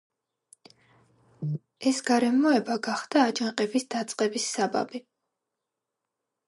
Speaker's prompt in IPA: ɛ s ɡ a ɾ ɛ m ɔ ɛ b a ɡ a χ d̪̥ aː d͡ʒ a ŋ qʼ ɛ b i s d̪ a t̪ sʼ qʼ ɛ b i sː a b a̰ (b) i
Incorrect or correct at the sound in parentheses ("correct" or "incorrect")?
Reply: correct